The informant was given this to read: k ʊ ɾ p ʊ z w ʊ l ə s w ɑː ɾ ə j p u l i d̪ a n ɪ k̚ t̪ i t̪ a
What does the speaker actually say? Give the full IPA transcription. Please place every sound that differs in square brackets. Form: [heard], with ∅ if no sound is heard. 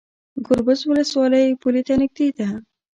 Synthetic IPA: [ɡ] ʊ ɾ [b] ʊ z w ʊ l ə s w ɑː [l] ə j p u l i [t̪] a n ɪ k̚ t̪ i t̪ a